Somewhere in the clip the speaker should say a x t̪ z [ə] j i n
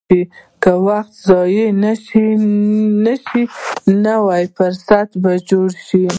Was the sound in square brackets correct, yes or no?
no